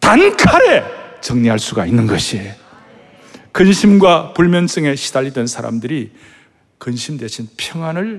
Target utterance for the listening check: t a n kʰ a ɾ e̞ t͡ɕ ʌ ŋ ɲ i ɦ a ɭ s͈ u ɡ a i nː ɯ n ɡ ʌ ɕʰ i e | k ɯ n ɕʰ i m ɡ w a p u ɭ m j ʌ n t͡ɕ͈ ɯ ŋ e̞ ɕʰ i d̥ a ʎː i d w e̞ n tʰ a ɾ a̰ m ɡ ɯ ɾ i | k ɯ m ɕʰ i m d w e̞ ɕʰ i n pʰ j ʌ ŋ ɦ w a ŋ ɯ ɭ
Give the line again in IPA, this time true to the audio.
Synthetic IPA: t a n kʰ a ɾ e̞ t͡ɕ ʌ ŋ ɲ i ɦ a ɭ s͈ u ɡ a i nː ɯ n ɡ ʌ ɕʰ i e | k ɯ n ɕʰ i m ɡ w a p u ɭ m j ʌ n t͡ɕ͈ ɯ ŋ e̞ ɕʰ i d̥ a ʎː i d w e̞ n sʰ a ɾ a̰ m d ɯ ɾ i | k ɯ n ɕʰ i m d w e̞ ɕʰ i n pʰ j ʌ ŋ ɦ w a n ɯ ɭ